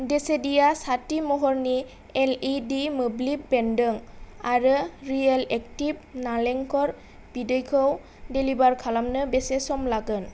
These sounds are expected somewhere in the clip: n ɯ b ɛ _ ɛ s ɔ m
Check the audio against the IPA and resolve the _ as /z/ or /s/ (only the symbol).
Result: s